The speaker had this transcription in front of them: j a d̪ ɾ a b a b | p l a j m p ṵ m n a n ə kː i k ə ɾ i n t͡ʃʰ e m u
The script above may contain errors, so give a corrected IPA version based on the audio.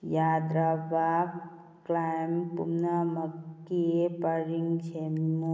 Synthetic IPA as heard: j a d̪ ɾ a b a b | k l a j m p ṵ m n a m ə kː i p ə ɾ i ŋ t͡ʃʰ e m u